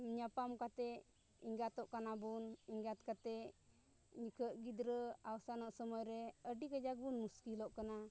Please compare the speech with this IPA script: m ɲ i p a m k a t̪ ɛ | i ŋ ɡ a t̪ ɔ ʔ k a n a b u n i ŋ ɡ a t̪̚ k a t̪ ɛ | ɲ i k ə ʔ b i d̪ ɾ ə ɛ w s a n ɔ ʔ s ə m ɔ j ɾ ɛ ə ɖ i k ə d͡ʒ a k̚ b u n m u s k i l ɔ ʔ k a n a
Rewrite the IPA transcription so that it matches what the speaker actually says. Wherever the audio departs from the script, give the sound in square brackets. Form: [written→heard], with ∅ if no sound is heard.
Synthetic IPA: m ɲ [i→a] p a m k a t̪ ɛ | i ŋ ɡ a t̪ ɔ ʔ k a n a b u n i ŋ ɡ a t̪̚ k a t̪ ɛ | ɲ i k ə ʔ [b→ɡ] i d̪ ɾ ə [ɛ→a] w s a n ɔ ʔ s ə m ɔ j ɾ ɛ ə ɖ i k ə d͡ʒ a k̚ b u n m u s k i l ɔ ʔ k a n a

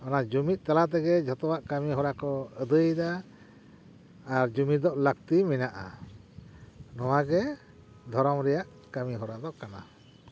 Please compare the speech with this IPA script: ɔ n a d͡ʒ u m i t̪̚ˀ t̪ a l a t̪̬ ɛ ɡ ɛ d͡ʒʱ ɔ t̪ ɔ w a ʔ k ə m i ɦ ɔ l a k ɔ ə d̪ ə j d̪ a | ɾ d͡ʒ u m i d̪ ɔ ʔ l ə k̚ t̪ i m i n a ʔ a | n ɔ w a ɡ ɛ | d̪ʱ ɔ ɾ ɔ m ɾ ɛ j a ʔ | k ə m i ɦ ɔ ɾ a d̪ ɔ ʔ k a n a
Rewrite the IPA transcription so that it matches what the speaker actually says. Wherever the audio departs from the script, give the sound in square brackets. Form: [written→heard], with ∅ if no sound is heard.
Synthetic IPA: ɔ n a d͡ʒ u m i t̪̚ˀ t̪ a l a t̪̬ ɛ ɡ ɛ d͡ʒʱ ɔ t̪ ɔ w a ʔ k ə m i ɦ ɔ [l→ɾ] a k ɔ ə d̪ ə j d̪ a | ɾ d͡ʒ u m i d̪ ɔ ʔ l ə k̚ t̪ i m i n a ʔ a | n ɔ w a ɡ ɛ | d̪ʱ ɔ ɾ ɔ m ɾ ɛ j a ʔ | k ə m i ɦ ɔ ɾ a d̪ ɔ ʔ k a n a

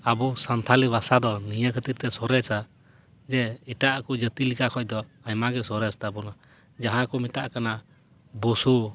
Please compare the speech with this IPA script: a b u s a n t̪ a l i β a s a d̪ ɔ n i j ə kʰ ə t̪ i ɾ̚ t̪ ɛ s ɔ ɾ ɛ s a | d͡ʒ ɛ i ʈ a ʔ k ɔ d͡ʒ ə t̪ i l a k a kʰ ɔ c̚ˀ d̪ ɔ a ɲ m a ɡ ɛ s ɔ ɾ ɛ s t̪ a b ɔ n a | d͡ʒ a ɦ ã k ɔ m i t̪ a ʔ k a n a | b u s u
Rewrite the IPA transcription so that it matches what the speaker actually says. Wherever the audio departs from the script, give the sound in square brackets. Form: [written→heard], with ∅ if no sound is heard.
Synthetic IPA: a b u s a n [t̪→t̪ʰ] a l i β a s a d̪ ɔ n i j ə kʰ ə t̪ i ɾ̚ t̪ ɛ s ɔ ɾ ɛ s a | d͡ʒ ɛ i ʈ a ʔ k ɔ d͡ʒ ə t̪ i l [a→i] k a kʰ ɔ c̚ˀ d̪ ɔ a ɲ m a ɡ ɛ s ɔ ɾ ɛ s t̪ a b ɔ n a | d͡ʒ a ɦ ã k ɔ m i t̪ a ʔ k a n a | b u s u

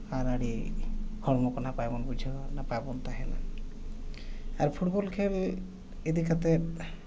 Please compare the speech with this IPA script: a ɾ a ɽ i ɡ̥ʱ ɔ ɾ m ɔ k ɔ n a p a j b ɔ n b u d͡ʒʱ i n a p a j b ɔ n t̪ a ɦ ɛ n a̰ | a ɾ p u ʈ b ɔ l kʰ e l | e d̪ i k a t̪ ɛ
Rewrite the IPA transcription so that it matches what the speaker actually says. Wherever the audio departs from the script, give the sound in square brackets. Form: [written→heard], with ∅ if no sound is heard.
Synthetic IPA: a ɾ a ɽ i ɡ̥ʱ ɔ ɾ m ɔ k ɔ n a p a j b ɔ n b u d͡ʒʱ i n a p a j b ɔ n t̪ a ɦ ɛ n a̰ | a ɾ [p→pʰ] u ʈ b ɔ l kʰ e l | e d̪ i k a t̪ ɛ

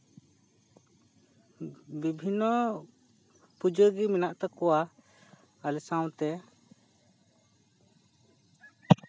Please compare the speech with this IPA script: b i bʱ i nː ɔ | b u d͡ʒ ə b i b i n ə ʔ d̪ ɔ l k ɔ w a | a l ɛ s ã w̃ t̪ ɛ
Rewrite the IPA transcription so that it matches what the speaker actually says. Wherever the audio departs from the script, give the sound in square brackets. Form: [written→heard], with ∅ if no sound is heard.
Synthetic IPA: b i bʱ i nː ɔ | [b→p] u d͡ʒ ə [b→ɡ] i [b→m] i n [ə→a] ʔ [d̪→t̪] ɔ [l→∅] k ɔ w a | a l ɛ s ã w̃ t̪ ɛ

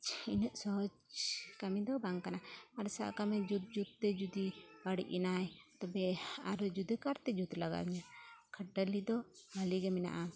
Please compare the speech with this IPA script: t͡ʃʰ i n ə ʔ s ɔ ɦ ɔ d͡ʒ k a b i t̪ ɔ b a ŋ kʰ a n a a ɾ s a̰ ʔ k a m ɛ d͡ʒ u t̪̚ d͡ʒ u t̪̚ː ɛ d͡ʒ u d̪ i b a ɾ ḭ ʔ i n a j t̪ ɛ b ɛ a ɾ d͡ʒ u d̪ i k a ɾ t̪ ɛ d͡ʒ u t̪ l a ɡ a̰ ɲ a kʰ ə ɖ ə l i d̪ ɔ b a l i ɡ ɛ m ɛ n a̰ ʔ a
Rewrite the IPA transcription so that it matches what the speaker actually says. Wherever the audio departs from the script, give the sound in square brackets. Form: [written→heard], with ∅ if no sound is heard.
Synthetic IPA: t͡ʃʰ i n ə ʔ s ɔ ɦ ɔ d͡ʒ k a [b→m] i [t̪→d̪] ɔ b a ŋ [kʰ→k] a n a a ɾ s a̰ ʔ k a m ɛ d͡ʒ u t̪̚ d͡ʒ u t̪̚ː ɛ d͡ʒ u d̪ i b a [ɾ→ɽ] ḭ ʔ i n a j t̪ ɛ b ɛ a ɾ d͡ʒ u d̪ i k a ɾ t̪ ɛ d͡ʒ u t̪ l a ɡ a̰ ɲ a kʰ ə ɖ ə l i d̪ ɔ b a l i ɡ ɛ m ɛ n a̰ ʔ a

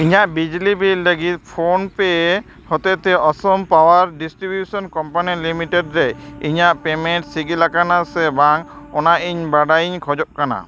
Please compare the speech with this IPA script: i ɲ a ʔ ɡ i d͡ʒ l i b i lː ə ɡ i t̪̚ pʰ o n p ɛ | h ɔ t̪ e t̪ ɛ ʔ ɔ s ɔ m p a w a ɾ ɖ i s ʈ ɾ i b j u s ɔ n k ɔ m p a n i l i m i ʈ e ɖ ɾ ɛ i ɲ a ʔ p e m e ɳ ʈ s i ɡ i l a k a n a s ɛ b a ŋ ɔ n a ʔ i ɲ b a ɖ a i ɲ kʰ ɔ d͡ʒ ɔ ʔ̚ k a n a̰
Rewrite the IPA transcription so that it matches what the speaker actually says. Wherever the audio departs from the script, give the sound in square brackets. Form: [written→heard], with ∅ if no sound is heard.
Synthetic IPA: i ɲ a ʔ [ɡ→b] i d͡ʒ l i b i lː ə ɡ i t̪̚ pʰ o n p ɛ | h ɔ t̪ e t̪ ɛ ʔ ɔ s ɔ m p a w a ɾ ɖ i s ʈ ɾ i b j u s ɔ n k ɔ m p a n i l i m i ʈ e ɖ ɾ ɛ i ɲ a ʔ p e m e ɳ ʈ s i ɡ i l a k a n a s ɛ b a ŋ ɔ n a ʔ i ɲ b a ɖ a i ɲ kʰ ɔ d͡ʒ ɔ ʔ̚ k a n a̰

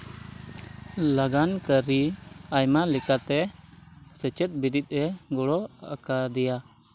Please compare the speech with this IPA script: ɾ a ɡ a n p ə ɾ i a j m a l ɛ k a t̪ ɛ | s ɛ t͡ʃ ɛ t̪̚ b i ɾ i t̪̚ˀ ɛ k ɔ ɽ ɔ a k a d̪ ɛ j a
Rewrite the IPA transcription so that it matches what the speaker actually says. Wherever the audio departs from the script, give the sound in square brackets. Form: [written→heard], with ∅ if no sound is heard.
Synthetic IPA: [ɾ→l] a ɡ a n [p→k] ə ɾ i a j m a l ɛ k a t̪ ɛ | s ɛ t͡ʃ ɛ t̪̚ b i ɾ i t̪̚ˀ ɛ [k→ɡ] ɔ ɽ ɔ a k a d̪ ɛ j a

